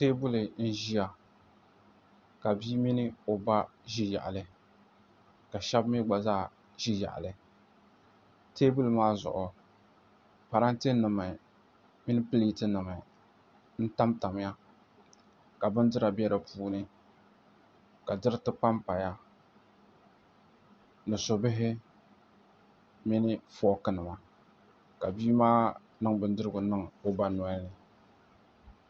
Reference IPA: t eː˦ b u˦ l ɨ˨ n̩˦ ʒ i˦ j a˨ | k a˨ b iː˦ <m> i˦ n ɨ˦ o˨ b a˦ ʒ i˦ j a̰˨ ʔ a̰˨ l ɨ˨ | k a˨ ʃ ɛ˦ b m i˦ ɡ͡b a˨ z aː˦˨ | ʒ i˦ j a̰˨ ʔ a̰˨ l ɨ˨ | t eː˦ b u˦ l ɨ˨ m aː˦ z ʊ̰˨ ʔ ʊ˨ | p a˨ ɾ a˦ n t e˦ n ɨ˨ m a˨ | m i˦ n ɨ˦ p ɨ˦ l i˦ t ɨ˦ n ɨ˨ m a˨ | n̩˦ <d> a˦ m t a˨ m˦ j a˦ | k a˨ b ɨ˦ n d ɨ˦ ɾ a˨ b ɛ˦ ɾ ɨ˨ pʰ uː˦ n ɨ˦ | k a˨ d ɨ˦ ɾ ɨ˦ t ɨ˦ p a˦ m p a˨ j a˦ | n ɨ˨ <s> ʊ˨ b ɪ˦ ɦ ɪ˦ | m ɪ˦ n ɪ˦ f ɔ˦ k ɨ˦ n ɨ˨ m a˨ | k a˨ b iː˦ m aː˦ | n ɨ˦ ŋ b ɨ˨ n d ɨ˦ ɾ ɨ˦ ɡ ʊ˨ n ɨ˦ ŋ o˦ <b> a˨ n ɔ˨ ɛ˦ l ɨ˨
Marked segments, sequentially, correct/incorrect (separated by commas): correct, incorrect, correct, correct